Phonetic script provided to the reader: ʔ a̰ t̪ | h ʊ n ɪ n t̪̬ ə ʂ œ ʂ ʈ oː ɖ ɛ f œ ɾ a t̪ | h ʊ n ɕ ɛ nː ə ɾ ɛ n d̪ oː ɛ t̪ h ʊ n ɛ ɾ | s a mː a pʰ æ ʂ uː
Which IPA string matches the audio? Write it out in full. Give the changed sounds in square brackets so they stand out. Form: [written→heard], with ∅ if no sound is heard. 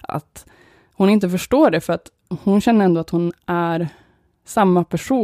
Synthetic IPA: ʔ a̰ t̪ | h ʊ n ɪ n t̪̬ ə [ʂ→f] œ ʂ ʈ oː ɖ ɛ f œ ɾ a t̪ | h ʊ n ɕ ɛ nː ə ɾ ɛ n d̪ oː [ɛ→a] t̪ h ʊ n [ɛ→æ] ɾ | s a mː a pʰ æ ʂ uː